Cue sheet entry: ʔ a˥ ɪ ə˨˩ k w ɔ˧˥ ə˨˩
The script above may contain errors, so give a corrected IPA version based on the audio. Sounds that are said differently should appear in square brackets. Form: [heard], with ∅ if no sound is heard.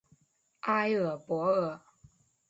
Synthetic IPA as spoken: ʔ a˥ ɪ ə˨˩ [p] w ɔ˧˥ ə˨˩

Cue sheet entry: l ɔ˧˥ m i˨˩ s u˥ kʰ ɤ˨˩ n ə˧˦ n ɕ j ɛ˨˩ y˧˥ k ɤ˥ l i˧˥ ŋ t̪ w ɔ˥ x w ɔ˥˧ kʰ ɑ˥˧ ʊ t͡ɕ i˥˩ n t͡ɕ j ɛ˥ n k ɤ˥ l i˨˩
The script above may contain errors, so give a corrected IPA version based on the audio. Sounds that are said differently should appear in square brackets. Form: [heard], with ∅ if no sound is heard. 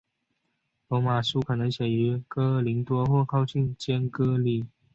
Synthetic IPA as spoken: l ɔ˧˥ m [a˨˩] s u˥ kʰ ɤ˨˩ n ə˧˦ [ŋ] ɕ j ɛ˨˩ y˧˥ k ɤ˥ l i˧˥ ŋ t̪ w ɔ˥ x w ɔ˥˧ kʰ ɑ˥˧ ʊ t͡ɕ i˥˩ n t͡ɕ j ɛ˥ n k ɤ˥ l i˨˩

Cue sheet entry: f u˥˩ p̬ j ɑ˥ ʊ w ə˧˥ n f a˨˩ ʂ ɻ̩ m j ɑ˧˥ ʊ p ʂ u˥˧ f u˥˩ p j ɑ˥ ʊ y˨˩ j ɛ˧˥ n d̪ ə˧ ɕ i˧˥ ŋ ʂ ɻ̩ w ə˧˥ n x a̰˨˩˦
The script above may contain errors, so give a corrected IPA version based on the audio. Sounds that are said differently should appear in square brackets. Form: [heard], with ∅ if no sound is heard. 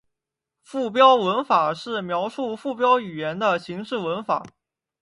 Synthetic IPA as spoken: f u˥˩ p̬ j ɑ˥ ʊ w ə˧˥ n f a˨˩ ʂ ɻ̩ m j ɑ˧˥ ʊ [∅] ʂ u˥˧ f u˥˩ p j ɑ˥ ʊ y˨˩ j ɛ˧˥ n d̪ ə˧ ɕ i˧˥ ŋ ʂ ɻ̩ w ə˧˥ n [f] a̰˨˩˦

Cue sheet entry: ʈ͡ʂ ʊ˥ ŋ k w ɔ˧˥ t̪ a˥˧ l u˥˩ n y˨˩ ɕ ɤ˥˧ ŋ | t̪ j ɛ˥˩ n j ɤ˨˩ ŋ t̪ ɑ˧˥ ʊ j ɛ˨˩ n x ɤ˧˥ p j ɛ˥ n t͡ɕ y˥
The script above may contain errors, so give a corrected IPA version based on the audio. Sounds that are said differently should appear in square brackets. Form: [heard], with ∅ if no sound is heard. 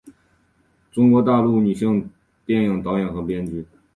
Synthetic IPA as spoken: ʈ͡ʂ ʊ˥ ŋ k w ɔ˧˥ t̪ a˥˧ l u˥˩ n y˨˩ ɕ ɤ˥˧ ŋ | t̪ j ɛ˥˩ n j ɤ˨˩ ŋ t̪ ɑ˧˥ ʊ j ɛ˨˩ n x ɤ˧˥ p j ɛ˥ n t͡ɕ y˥

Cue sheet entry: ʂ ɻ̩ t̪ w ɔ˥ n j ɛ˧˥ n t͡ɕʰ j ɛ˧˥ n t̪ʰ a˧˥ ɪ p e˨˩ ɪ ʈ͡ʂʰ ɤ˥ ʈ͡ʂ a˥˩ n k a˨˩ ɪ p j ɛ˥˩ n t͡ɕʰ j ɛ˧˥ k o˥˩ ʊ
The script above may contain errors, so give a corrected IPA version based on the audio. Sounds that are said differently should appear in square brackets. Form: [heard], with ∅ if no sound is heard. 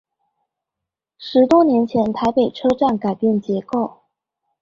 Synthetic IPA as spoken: ʂ ɻ̩ t̪ w ɔ˥ n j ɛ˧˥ n t͡ɕʰ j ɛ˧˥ n t̪ʰ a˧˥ ɪ p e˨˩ ɪ ʈ͡ʂʰ ɤ˥ ʈ͡ʂ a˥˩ n k a˨˩ ɪ p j ɛ˥˩ n [t͡ɕ] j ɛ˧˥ k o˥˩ ʊ

